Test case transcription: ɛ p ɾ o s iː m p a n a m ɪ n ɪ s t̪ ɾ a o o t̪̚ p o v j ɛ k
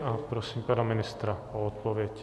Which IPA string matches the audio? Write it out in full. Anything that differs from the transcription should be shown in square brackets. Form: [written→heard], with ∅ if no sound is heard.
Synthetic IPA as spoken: [ɛ→a] p ɾ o s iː m p a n a m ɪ n ɪ s t̪ ɾ a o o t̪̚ p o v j ɛ [k→c]